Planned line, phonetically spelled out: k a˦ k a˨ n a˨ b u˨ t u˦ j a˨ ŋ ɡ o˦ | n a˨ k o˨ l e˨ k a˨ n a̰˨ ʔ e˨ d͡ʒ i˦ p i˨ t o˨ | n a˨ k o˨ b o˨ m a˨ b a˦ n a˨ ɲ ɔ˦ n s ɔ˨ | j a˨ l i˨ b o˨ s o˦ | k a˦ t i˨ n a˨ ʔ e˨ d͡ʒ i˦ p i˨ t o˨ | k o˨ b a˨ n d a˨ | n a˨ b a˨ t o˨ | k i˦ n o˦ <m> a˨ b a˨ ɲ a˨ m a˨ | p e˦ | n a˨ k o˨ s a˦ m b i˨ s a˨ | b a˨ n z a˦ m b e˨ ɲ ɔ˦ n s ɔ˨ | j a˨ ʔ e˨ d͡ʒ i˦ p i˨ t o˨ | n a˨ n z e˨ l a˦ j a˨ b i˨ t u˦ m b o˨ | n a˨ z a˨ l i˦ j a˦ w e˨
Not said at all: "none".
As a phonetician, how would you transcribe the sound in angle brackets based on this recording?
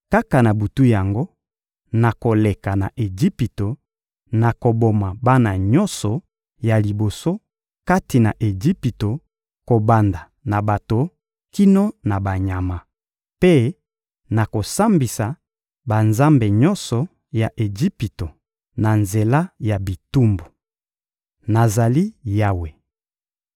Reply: n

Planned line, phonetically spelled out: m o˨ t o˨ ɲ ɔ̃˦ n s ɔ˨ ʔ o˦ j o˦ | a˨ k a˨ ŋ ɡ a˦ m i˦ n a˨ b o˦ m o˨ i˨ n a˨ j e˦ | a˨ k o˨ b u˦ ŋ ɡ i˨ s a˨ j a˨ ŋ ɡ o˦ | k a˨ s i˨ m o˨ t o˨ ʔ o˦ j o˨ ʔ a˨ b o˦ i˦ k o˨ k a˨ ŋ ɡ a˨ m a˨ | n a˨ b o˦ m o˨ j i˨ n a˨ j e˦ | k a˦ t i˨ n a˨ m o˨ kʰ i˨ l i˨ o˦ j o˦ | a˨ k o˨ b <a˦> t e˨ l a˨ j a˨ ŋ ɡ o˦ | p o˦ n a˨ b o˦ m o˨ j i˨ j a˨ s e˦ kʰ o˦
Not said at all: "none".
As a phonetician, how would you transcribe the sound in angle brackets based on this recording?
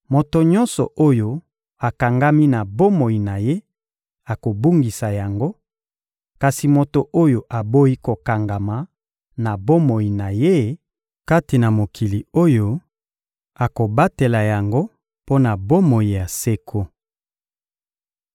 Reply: a˦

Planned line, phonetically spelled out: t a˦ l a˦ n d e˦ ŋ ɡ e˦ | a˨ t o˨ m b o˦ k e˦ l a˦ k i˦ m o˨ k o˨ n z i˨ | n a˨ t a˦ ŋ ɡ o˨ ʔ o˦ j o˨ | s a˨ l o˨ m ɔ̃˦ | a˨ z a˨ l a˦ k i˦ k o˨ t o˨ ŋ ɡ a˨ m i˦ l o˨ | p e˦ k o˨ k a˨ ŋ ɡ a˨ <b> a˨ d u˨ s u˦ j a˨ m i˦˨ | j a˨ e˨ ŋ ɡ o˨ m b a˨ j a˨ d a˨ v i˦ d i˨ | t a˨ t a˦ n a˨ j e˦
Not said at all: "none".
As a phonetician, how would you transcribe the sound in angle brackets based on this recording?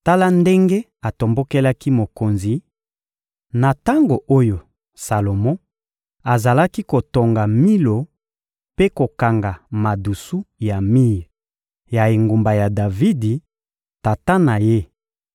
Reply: m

